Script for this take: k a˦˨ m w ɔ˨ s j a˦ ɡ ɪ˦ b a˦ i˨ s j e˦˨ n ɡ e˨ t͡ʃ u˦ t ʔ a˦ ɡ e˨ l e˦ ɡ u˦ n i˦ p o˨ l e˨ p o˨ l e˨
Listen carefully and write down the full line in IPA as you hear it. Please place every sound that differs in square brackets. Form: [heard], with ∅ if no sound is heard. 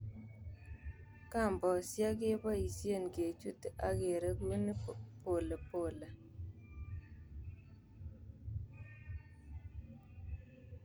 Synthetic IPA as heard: k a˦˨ m [b] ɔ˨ s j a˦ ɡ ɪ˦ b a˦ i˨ s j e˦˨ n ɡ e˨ t͡ʃ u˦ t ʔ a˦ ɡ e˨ [ɾ] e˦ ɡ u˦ n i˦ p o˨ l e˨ p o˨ l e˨

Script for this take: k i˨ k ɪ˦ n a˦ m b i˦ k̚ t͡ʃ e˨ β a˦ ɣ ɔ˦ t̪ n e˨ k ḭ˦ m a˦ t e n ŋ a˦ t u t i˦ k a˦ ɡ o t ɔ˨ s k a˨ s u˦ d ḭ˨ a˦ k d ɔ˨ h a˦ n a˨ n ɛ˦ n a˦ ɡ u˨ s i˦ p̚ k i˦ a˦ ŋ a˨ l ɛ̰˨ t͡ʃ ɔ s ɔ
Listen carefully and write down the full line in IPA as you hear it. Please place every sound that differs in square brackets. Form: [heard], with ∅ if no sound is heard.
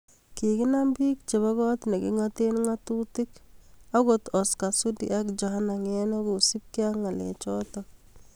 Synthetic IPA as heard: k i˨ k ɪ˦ n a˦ m b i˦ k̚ t͡ʃ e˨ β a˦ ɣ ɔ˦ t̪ n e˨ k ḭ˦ [ŋ] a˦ t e n ŋ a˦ t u t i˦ k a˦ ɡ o t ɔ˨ s k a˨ s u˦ d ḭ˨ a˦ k [d͡ʒ] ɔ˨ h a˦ n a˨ [ŋ] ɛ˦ n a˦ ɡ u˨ s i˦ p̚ k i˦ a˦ ŋ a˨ l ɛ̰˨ t͡ʃ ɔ [t] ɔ

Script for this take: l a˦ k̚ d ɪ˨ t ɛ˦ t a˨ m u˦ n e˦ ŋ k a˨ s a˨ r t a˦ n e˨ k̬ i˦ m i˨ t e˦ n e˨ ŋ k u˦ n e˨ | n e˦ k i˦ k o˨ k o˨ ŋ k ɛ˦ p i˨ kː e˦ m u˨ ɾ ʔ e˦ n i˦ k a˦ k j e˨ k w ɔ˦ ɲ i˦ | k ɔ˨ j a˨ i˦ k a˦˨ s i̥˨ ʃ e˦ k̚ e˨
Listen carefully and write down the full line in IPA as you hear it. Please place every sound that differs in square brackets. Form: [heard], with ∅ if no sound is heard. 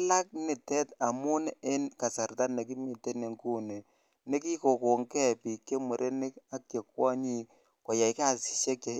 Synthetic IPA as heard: l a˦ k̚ [n] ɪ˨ t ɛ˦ t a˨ m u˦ n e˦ [n] k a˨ s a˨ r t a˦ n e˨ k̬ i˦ m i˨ t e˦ n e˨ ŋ k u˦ n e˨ | n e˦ k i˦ k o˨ k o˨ ŋ k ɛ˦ p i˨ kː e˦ m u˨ ɾ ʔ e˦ n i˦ k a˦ k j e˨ k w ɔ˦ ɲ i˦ | k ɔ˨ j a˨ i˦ k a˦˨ s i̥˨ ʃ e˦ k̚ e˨

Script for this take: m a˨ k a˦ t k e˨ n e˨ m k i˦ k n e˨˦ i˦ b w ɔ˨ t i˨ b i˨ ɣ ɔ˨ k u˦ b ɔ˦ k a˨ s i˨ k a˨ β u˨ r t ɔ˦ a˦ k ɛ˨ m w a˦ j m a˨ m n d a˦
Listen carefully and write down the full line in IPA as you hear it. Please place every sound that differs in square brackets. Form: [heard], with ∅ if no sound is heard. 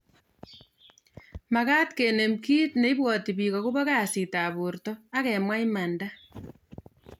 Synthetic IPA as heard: m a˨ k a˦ t k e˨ n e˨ m k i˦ [t] n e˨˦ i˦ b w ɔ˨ t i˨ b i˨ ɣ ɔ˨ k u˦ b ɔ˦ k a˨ s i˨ [t] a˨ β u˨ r t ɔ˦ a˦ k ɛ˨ m w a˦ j m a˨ [∅] n d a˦

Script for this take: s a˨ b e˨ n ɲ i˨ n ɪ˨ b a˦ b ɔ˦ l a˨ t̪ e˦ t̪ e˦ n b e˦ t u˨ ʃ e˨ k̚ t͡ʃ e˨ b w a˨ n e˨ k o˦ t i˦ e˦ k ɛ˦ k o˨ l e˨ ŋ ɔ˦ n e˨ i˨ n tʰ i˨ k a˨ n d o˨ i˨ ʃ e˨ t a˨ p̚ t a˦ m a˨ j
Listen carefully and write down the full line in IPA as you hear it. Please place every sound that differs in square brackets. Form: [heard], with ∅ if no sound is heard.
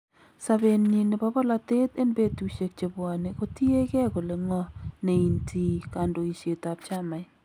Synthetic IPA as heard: s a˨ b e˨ n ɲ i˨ n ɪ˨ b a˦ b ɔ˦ l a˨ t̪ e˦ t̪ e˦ n b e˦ t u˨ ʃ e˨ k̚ t͡ʃ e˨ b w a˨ n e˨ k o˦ t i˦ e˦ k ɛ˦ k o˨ l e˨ ŋ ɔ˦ n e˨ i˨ n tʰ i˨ k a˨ n d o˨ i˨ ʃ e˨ t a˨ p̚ [t͡ʃ] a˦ m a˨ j

